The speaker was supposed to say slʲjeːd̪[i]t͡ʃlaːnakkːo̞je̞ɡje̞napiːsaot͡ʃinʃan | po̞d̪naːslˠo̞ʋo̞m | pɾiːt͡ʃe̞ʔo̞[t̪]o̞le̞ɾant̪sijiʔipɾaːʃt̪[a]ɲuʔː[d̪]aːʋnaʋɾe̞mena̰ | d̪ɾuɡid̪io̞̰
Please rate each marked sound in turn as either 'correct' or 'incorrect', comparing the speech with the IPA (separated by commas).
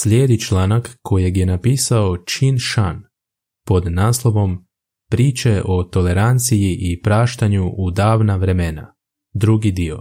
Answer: correct, correct, correct, correct